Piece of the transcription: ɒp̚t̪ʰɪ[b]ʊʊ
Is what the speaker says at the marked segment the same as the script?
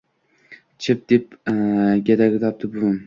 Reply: yes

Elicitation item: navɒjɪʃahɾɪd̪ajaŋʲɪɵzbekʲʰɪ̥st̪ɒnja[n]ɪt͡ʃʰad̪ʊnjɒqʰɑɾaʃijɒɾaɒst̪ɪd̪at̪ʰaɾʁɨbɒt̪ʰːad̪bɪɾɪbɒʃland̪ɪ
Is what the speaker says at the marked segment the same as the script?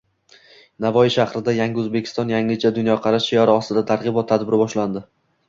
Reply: no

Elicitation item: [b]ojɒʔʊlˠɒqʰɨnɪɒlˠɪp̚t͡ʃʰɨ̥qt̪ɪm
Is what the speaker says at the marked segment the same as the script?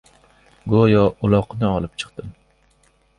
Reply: no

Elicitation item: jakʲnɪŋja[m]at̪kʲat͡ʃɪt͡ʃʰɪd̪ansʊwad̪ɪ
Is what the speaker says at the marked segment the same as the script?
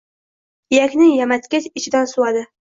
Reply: yes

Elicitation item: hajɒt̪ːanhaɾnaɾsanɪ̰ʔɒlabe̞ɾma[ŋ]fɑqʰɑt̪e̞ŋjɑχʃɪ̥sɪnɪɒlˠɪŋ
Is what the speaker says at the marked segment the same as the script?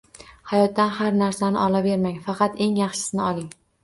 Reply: yes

